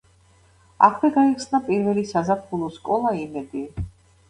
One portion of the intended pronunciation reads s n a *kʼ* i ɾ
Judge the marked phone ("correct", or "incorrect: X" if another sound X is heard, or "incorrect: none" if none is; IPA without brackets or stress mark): incorrect: pʼ